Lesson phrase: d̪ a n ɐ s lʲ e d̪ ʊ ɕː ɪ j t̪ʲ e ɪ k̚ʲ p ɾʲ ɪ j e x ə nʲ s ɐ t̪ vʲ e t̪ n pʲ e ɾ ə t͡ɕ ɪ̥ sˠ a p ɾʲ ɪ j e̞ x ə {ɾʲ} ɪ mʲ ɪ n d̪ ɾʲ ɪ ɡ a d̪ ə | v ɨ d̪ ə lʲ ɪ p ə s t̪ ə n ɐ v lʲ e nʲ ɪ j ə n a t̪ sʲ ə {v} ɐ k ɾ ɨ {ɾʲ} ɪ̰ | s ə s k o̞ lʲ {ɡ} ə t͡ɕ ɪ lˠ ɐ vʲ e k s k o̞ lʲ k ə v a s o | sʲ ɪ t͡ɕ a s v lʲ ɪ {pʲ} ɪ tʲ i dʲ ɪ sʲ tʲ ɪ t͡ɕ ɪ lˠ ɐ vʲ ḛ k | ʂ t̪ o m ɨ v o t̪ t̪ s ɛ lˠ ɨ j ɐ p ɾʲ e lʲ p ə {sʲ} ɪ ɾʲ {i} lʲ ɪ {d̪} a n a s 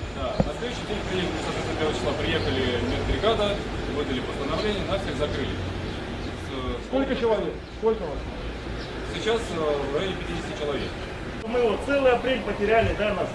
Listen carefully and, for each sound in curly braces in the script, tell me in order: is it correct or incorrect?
incorrect: lʲ, incorrect: z, incorrect: lʲ, incorrect: k, correct, incorrect: tʲ, incorrect: æ, correct

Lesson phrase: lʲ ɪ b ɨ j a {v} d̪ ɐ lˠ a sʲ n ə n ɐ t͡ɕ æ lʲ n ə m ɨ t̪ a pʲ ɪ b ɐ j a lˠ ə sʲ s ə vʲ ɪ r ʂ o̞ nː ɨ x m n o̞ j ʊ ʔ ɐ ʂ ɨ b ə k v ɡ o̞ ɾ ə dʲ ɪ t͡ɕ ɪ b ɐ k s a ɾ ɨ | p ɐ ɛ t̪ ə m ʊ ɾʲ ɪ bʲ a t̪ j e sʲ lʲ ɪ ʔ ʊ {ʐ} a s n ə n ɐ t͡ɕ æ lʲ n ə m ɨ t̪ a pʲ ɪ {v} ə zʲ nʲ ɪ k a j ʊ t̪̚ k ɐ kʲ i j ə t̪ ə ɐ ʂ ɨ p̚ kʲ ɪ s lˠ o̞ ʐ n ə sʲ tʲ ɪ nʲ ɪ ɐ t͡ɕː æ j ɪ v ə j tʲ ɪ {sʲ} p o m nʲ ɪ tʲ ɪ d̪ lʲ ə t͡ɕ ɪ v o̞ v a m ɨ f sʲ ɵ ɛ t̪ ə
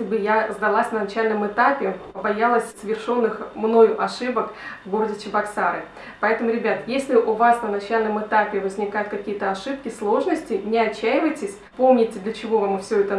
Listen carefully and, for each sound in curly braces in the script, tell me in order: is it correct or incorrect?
incorrect: z, incorrect: v, correct, correct

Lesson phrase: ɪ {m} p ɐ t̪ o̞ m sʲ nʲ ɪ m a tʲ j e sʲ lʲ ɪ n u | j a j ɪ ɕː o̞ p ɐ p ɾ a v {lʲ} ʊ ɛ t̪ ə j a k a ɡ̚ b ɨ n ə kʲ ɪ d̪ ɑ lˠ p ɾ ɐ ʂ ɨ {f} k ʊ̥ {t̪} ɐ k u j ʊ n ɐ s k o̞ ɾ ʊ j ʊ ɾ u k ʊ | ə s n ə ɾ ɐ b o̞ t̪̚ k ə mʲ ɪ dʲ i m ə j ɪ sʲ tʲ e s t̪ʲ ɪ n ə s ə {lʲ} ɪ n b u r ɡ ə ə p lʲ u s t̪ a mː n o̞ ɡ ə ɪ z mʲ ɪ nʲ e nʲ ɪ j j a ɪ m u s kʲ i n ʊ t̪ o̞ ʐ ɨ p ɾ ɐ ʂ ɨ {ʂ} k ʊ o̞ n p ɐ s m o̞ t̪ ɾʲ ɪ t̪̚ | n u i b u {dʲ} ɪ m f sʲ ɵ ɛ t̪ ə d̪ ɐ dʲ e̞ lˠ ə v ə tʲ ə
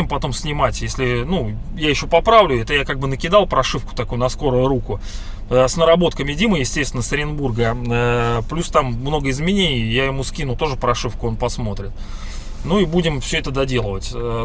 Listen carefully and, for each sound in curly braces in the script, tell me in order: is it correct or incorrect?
correct, correct, correct, correct, incorrect: ɾʲ, incorrect: f, correct

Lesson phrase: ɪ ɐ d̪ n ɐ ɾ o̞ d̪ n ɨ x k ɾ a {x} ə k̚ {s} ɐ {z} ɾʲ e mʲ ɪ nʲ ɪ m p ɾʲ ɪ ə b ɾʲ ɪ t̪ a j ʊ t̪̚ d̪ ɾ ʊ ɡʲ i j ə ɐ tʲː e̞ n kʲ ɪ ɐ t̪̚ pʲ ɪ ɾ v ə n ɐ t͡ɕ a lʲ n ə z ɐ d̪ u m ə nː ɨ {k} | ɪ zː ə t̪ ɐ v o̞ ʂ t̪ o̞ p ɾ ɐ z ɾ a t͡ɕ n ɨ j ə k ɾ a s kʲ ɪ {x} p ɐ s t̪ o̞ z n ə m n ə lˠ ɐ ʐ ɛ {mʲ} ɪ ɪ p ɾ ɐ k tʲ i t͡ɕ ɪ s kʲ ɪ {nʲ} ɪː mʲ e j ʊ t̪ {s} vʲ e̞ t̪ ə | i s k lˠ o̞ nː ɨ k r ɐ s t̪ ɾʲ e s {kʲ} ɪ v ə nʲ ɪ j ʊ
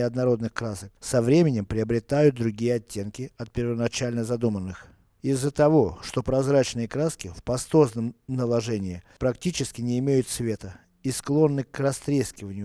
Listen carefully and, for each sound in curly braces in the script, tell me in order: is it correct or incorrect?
incorrect: s, correct, incorrect: v, incorrect: x, incorrect: f, incorrect: nʲ, correct, correct, correct

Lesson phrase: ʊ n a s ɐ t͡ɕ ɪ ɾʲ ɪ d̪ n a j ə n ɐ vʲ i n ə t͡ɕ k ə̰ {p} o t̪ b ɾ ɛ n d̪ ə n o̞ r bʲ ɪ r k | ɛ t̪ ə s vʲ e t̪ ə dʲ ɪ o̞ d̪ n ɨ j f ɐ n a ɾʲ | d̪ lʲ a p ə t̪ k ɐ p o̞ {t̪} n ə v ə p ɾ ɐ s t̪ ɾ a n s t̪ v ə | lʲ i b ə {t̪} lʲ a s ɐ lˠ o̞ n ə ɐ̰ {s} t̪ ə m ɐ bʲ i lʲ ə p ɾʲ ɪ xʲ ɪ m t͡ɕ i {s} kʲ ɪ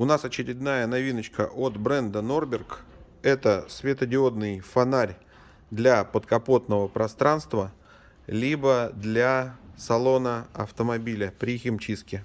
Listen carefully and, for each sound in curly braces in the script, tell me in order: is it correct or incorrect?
incorrect: ʔ, correct, incorrect: d̪, incorrect: f, correct

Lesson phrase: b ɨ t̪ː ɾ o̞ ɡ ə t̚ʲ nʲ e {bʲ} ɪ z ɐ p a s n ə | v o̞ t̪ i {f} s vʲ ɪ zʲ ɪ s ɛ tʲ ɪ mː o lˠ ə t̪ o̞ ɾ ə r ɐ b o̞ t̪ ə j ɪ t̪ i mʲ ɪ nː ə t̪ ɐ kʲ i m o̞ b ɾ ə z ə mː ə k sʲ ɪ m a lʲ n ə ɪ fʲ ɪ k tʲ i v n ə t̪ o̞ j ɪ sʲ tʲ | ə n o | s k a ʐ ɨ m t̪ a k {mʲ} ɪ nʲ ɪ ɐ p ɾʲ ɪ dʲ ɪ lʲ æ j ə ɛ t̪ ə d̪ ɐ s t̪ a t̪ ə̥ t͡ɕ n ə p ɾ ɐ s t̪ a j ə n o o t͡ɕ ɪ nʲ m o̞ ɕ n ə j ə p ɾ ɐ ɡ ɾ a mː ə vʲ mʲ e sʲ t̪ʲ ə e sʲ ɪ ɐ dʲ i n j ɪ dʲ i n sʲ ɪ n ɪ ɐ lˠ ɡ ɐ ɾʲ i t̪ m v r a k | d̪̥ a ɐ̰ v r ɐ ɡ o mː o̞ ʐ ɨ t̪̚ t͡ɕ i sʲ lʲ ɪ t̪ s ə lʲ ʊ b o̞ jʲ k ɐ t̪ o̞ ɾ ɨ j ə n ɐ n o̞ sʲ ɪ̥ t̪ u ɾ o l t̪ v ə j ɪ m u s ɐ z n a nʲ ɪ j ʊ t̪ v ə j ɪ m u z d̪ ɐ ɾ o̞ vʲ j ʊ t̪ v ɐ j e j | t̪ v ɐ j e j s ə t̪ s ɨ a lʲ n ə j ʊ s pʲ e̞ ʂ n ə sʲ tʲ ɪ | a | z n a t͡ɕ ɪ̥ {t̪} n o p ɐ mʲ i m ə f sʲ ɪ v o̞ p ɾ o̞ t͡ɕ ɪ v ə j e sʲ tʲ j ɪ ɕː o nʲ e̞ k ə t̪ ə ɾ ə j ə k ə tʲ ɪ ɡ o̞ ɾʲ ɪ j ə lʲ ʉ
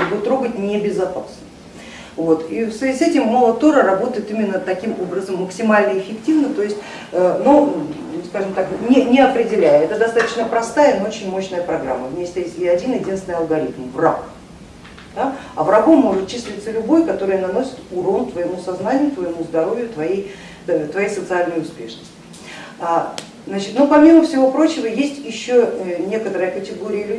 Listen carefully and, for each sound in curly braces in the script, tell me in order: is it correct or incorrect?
correct, correct, incorrect: nʲ, correct

